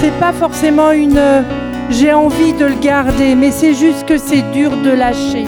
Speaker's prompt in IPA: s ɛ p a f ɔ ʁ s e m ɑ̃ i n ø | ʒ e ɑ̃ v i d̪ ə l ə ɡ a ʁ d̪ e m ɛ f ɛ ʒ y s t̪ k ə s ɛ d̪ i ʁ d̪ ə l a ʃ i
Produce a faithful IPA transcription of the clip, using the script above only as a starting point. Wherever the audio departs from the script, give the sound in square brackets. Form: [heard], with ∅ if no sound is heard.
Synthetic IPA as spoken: s ɛ p a f ɔ ʁ s e m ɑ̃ [y] n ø | ʒ e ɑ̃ v i d̪ ə l ə ɡ a ʁ d̪ e m ɛ [s] ɛ ʒ y s t̪ k ə s ɛ d̪ [y] ʁ d̪ ə l a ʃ [e]